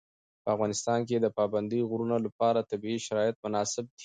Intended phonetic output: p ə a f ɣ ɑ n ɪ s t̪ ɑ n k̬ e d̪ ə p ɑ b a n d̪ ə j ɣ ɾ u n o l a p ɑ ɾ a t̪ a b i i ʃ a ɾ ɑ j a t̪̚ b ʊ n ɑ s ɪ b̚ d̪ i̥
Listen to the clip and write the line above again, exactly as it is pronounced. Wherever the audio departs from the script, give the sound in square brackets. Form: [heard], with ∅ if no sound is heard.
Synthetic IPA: p ə a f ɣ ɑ n ɪ s t̪ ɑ n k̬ e d̪ ə p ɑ b a n d̪ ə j ɣ ɾ u n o l a p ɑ ɾ a t̪ a b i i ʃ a ɾ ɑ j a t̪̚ [m] ʊ n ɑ s ɪ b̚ d̪ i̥